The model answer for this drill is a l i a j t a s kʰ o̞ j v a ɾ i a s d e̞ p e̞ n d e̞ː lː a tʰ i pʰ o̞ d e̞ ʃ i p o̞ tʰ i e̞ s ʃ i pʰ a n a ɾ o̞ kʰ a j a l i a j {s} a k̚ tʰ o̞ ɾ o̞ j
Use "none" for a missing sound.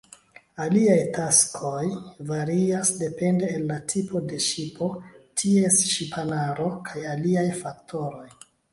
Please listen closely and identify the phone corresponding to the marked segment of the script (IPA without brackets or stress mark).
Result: f